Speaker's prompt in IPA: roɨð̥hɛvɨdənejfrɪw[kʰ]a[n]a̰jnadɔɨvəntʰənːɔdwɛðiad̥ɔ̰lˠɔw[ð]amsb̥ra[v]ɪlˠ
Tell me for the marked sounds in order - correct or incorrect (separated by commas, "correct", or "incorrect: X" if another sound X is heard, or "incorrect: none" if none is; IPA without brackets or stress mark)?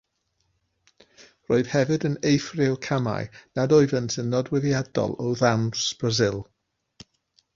correct, incorrect: m, correct, incorrect: z